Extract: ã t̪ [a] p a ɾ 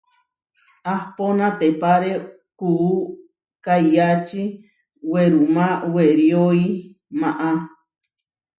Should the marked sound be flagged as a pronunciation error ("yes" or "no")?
yes